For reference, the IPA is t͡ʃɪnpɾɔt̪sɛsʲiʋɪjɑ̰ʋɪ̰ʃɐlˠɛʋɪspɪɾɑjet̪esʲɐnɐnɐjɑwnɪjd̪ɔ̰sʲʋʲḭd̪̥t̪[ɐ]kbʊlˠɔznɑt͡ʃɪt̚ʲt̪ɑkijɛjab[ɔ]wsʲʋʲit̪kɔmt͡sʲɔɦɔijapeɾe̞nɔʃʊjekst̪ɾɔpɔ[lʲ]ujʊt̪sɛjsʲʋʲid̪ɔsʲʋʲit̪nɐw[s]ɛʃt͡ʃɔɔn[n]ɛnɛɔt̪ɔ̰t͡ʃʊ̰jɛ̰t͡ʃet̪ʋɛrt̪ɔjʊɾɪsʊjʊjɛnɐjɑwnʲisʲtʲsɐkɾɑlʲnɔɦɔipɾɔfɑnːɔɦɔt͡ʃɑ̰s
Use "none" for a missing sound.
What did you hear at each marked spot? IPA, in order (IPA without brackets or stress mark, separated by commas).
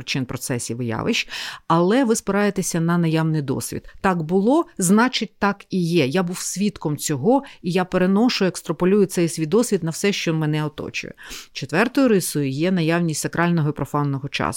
ɑ, u, lʲ, s, m